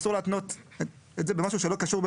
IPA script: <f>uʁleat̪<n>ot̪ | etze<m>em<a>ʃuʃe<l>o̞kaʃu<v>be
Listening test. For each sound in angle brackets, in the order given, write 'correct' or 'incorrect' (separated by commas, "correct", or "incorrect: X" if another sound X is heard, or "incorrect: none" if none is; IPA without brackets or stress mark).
incorrect: s, correct, incorrect: b, correct, correct, incorrect: ʁ